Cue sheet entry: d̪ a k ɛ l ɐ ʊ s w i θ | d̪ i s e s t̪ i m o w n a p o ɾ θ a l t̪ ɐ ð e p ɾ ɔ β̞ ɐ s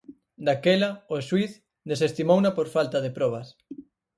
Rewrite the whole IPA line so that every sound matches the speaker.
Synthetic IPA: d̪ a k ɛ l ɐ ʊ s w i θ | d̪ e s e s t̪ i m o w n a p o ɾ f a l t̪ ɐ ð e p ɾ ɔ β̞ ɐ s